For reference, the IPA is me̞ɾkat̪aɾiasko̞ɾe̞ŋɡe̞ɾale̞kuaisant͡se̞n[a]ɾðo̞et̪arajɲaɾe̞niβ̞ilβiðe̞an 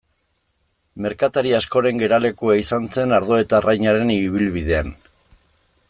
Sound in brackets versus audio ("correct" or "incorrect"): correct